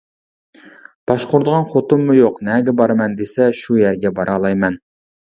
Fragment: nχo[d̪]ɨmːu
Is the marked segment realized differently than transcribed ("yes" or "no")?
yes